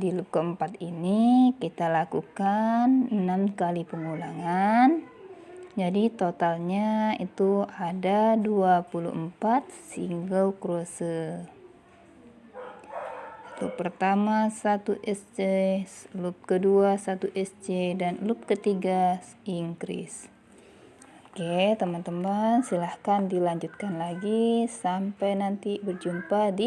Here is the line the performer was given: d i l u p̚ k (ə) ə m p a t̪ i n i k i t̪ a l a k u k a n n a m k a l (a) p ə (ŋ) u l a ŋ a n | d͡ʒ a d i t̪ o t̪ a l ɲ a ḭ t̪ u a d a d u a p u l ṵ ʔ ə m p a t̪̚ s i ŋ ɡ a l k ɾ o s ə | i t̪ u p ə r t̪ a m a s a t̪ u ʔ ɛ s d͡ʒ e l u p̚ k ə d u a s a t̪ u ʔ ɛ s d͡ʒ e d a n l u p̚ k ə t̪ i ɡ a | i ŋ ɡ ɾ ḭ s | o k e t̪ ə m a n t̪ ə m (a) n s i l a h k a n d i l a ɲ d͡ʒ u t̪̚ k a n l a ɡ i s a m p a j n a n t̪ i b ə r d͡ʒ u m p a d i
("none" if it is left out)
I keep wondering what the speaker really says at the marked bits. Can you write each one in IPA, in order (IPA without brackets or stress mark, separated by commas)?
ə, i, ŋ, a